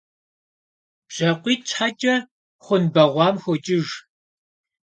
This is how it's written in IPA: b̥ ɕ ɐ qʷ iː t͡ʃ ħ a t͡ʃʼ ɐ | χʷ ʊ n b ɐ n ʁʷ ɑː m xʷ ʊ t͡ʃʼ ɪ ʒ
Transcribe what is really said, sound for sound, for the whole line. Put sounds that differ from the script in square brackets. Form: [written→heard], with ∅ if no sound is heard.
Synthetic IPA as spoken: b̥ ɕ ɐ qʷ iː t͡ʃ ħ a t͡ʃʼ ɐ | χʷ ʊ n b ɐ [n→∅] ʁʷ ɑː m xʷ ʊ t͡ʃʼ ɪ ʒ